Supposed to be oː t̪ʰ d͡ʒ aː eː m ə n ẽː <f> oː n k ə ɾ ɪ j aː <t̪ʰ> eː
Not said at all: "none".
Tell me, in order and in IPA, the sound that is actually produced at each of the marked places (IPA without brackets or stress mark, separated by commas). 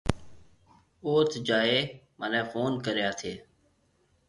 f, t̪ʰ